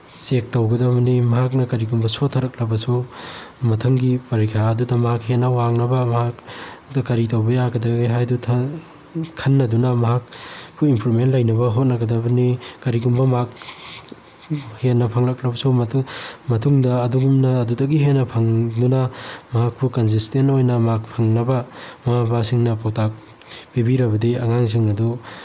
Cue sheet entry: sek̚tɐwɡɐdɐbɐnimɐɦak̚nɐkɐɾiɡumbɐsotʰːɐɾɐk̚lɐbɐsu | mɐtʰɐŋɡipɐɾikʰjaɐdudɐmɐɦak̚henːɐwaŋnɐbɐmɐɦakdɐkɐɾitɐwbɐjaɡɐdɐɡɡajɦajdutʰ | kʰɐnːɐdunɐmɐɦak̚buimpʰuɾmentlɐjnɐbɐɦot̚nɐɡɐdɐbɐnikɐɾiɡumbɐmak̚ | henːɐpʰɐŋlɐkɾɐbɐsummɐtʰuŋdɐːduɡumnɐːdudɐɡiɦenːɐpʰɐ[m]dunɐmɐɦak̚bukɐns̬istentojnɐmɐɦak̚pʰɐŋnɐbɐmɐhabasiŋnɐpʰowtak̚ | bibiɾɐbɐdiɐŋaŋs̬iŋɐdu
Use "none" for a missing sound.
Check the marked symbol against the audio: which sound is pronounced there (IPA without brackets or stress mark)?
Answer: ŋ